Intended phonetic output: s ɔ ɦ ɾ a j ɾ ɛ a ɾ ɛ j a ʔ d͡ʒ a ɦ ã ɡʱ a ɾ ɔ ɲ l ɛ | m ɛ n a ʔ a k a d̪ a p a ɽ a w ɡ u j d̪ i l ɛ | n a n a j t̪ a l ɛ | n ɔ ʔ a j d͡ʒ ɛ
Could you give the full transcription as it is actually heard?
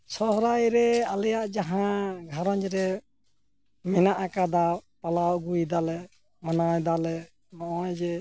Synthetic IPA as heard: s ɔ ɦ ɾ a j ɾ ɛ a l ɛ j a ʔ d͡ʒ a ɦ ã ɡʱ a ɾ ɔ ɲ ɾ ɛ | m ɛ n a ʔ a k a d̪ a p a l a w ɡ u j d̪ a l ɛ | m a n a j d̪ a l ɛ | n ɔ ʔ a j d͡ʒ ɛ